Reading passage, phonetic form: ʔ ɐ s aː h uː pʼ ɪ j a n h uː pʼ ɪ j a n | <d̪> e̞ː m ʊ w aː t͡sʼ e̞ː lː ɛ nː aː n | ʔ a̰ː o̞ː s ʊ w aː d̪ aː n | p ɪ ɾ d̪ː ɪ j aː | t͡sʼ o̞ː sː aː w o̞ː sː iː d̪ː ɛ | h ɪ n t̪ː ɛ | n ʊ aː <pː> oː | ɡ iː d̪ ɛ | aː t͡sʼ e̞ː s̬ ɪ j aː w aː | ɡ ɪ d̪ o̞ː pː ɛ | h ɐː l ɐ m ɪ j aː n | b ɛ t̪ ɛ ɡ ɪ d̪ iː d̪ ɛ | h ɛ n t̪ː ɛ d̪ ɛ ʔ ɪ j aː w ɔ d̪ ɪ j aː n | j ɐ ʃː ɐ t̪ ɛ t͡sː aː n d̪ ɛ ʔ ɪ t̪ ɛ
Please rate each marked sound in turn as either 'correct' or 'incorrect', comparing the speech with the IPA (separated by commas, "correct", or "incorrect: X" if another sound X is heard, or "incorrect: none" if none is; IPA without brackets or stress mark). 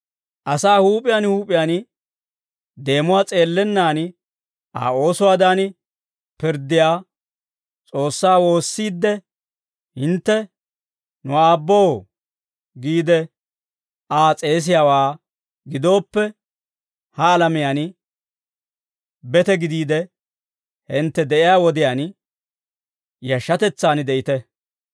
correct, incorrect: bː